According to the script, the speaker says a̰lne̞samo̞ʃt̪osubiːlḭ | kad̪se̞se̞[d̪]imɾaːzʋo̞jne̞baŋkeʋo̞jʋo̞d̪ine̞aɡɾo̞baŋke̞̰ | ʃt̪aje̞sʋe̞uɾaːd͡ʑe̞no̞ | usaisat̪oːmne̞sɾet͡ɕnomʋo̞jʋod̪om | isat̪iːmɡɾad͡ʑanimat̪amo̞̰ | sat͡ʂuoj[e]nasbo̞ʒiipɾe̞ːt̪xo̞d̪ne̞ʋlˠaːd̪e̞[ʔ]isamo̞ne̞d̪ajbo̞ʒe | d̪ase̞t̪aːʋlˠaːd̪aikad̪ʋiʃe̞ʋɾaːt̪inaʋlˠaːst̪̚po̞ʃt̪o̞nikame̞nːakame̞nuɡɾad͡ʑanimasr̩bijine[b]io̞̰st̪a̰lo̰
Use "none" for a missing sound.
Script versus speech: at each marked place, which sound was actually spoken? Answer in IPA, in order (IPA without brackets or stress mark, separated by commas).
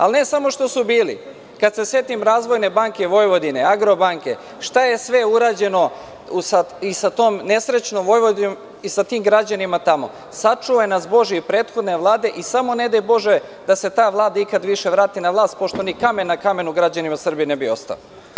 t̪, e, ʔ, b